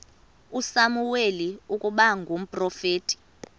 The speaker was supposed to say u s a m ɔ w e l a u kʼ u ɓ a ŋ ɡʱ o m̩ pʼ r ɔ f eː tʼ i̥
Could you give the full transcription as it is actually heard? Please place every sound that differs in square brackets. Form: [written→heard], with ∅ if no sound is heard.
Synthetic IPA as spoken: u s a m [ɔ→u] w e l [a→i] u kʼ u ɓ a ŋ ɡʱ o m̩ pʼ r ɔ f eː tʼ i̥